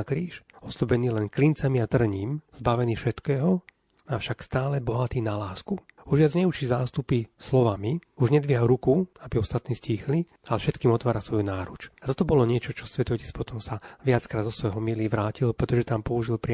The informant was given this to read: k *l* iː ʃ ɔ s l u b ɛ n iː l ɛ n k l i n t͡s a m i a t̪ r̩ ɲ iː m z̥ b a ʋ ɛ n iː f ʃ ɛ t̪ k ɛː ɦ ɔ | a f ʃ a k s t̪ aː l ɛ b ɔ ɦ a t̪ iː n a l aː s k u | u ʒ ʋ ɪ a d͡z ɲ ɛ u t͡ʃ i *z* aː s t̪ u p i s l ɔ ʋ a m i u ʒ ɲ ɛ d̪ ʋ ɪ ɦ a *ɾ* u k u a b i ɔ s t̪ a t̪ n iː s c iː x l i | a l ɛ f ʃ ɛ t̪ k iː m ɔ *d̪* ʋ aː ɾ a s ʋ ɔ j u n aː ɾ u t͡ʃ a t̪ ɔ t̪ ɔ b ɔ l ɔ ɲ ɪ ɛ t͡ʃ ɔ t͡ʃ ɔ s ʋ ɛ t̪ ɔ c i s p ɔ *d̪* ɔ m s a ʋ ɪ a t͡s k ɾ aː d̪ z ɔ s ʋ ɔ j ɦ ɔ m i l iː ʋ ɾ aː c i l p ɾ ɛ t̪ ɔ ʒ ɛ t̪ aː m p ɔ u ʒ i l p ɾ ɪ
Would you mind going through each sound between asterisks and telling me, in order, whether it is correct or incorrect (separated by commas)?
incorrect, correct, correct, incorrect, incorrect